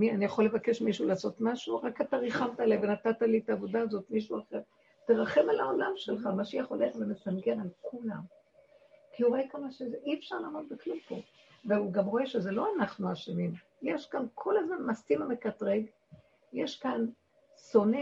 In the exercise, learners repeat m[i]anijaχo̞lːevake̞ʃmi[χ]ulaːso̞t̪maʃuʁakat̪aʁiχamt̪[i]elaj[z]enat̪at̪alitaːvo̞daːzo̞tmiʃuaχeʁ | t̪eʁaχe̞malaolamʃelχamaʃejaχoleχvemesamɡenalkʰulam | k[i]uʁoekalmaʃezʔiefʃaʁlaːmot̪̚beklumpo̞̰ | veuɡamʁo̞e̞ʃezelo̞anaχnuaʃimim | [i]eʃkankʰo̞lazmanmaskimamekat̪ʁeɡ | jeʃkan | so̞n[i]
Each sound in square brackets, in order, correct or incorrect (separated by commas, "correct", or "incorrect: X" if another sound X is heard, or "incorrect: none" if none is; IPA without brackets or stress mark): correct, incorrect: ʃ, incorrect: a, incorrect: v, correct, incorrect: j, incorrect: e